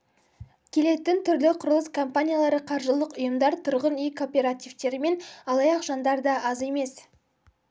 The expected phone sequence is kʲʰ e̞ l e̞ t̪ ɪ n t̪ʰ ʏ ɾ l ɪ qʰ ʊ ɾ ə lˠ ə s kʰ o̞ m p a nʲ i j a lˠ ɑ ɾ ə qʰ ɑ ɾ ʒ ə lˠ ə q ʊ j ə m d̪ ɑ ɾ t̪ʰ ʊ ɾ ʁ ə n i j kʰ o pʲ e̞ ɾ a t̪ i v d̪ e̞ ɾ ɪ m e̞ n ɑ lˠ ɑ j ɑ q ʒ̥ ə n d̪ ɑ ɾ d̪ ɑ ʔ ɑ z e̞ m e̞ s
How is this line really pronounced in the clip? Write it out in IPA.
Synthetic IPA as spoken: kʲʰ e̞ l e̞ t̪ ɪ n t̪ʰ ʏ ɾ l ɪ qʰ ʊ ɾ ə lˠ ə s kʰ o̞ m p a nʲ i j a lˠ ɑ ɾ ə qʰ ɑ ɾ ʒ ə lˠ ə q ʊ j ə m d̪ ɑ ɾ t̪ʰ ʊ ɾ ʁ ə n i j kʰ o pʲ e̞ ɾ a t̪ i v t̪ e̞ ɾ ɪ m e̞ n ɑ lˠ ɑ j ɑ q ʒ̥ ɑ n d̪ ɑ ɾ d̪ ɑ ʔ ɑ z e̞ m e̞ s